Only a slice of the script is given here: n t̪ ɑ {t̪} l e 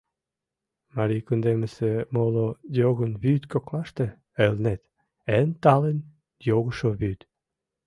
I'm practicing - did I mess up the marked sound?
yes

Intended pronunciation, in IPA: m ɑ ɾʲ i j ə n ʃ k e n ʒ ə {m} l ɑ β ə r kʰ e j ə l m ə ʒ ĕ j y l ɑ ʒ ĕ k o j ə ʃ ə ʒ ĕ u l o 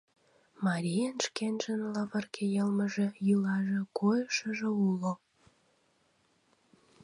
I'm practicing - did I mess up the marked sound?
yes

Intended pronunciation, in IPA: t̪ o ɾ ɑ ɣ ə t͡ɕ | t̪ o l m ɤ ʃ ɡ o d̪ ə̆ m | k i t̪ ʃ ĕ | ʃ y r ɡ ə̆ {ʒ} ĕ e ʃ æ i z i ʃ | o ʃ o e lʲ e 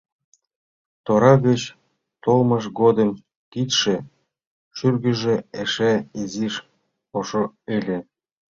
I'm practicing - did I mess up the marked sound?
no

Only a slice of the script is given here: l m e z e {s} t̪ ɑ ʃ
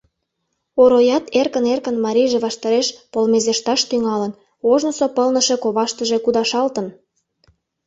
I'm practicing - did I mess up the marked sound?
yes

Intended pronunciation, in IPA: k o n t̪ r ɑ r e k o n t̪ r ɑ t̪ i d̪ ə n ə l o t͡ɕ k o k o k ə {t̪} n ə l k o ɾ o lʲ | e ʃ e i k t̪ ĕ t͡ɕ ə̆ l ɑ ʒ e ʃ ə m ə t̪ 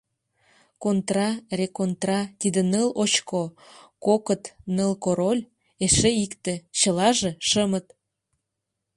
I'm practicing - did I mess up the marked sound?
no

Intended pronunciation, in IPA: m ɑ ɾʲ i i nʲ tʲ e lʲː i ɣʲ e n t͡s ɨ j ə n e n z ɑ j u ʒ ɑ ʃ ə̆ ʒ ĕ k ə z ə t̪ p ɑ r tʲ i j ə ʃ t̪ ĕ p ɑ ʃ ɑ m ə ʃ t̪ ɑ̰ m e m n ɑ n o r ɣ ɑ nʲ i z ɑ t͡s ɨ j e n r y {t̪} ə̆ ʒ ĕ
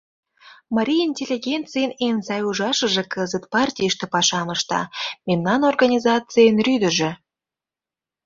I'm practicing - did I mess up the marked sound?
yes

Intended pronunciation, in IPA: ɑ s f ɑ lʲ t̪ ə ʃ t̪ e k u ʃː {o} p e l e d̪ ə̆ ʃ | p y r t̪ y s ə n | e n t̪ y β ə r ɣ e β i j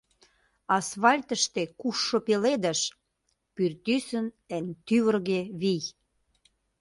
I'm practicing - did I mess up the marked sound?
no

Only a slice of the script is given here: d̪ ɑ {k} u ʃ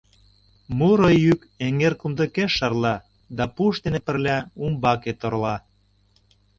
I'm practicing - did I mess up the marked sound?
yes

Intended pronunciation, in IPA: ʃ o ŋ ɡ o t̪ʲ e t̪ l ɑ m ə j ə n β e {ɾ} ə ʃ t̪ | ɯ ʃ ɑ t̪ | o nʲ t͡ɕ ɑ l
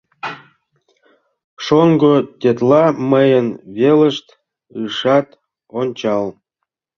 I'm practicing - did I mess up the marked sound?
yes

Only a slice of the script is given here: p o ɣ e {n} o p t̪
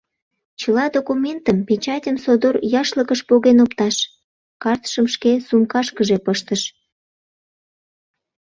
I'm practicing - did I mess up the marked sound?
no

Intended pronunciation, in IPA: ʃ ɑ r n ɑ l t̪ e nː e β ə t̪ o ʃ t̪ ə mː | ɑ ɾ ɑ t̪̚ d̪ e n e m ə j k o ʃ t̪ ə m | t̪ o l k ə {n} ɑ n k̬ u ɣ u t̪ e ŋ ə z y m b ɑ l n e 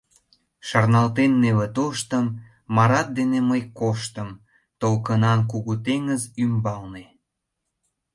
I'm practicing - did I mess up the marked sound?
no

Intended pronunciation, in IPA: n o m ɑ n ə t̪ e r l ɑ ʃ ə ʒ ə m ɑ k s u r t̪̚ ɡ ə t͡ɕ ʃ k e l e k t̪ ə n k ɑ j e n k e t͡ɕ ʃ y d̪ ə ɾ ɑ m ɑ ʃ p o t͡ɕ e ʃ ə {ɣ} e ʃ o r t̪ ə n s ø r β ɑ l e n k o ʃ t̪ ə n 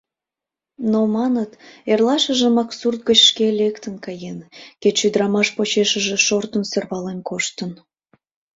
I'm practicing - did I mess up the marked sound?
yes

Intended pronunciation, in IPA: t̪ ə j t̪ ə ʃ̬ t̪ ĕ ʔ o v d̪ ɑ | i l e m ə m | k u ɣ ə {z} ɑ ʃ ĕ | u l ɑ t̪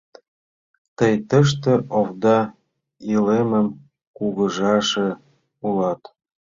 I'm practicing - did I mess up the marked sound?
yes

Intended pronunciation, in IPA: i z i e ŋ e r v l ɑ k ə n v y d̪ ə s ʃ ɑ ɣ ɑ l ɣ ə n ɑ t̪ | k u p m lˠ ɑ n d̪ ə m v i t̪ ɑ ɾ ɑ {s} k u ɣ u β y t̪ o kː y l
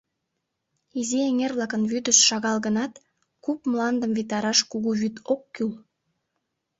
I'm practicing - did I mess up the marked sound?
yes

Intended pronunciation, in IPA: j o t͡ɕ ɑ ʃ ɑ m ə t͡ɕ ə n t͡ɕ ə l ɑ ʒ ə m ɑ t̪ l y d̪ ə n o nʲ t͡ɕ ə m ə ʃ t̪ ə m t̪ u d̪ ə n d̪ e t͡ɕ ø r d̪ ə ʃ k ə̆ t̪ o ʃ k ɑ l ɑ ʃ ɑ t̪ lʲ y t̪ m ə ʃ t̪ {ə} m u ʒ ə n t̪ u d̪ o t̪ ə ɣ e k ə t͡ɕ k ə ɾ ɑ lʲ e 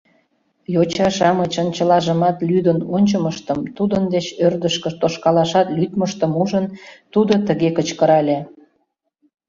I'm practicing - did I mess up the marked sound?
no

